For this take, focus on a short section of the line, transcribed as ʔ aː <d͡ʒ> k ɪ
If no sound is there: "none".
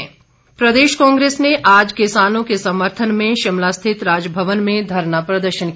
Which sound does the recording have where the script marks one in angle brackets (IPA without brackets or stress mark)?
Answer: d͡ʒ